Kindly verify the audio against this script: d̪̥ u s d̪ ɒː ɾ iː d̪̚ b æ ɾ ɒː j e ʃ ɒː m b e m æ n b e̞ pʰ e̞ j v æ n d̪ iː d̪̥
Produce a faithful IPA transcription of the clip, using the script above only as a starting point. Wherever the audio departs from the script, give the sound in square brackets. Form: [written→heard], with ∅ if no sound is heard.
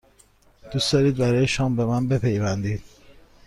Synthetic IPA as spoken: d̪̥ u s d̪ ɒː ɾ iː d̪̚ b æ ɾ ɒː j e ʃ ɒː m b e m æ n b e̞ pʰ e̞ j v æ n d̪ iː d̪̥